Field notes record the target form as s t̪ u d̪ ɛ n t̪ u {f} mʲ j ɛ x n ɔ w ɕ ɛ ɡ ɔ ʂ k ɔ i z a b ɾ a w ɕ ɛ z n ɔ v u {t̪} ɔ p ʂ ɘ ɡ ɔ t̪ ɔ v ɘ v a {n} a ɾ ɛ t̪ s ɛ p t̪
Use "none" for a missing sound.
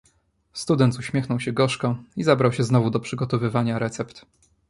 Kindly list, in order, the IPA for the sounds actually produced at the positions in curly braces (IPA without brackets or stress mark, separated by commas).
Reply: ɕ, d̪, ɲ